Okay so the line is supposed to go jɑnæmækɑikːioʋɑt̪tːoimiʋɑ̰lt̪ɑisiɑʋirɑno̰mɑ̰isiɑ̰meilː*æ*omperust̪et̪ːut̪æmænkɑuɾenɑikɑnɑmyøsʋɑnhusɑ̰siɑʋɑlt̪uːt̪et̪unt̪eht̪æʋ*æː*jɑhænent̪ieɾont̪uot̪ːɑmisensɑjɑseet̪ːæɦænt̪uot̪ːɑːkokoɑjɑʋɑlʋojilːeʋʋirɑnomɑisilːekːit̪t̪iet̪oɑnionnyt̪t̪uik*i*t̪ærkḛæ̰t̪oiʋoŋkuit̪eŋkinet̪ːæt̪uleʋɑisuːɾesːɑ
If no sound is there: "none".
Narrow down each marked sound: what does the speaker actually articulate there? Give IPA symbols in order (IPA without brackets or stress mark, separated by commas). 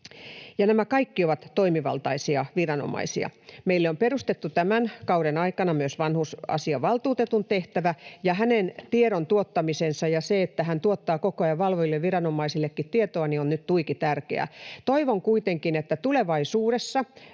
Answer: e, æ, i